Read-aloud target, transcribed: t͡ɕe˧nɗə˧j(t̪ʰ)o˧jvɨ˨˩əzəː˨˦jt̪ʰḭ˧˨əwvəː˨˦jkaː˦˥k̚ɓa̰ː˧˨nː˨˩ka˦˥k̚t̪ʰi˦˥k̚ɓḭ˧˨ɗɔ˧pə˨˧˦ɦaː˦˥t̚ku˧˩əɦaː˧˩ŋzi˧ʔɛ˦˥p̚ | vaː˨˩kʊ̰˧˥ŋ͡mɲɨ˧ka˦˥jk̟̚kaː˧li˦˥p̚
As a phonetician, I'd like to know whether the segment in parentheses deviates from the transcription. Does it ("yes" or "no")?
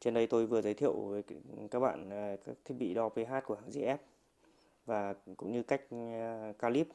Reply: yes